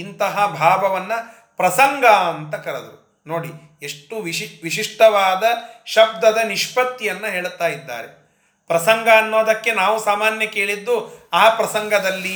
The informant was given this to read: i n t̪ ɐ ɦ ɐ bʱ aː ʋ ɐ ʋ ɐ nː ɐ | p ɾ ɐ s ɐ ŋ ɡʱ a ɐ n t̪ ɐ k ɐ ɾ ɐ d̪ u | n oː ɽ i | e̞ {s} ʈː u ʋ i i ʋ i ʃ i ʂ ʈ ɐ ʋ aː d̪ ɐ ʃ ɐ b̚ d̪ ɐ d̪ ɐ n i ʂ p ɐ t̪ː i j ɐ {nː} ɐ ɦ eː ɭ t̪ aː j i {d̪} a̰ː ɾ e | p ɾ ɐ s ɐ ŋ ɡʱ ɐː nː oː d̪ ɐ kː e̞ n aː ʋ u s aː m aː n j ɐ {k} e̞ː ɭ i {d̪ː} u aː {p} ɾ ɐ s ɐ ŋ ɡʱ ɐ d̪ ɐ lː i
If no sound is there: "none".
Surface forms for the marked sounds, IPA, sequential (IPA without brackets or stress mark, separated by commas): ʂ, nː, d̪ː, k, d̪ː, p